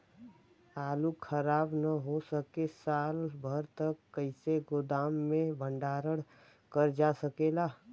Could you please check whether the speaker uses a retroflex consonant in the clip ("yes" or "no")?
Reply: yes